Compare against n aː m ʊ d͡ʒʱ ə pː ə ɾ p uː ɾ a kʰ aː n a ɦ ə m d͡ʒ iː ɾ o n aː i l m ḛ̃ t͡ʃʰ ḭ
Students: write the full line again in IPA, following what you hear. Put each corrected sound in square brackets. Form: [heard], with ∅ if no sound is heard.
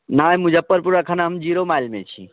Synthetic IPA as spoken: n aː m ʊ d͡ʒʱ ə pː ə ɾ p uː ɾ a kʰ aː n a ɦ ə m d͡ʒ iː ɾ o [m] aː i l m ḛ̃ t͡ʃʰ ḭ